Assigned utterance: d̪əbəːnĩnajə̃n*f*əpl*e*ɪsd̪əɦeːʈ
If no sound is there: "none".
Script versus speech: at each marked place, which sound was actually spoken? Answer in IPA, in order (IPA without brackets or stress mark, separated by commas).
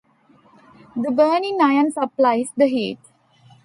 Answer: s, a